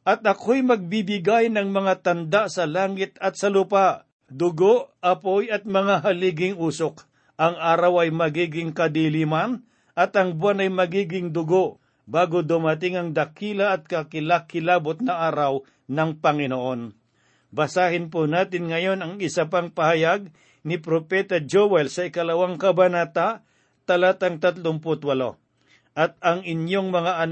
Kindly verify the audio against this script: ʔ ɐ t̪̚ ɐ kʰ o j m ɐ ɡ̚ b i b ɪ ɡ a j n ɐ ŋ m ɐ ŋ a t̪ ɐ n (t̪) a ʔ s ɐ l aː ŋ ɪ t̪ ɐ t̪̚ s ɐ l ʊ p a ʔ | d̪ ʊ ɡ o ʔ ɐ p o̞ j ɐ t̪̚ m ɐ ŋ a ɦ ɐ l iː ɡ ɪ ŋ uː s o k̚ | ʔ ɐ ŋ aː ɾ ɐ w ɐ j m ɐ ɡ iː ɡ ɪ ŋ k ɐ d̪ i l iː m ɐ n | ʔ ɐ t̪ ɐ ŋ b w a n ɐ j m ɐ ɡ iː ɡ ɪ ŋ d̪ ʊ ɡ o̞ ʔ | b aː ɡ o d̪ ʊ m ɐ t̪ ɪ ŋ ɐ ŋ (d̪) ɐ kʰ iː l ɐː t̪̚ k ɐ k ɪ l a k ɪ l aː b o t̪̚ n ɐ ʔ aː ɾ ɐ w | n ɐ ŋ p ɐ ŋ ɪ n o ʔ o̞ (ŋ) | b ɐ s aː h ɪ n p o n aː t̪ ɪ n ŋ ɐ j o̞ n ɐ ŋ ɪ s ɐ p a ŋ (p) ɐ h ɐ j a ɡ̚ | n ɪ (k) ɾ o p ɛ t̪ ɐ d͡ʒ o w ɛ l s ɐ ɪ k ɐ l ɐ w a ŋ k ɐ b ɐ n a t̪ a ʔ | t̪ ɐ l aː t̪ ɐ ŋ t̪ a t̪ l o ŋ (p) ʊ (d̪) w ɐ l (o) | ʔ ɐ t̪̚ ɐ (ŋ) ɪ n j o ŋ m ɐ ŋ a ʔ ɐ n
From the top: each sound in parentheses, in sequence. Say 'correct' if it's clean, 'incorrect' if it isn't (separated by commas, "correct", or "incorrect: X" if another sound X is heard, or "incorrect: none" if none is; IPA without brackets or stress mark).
incorrect: d̪, correct, incorrect: n, correct, incorrect: p, correct, incorrect: t̪, correct, correct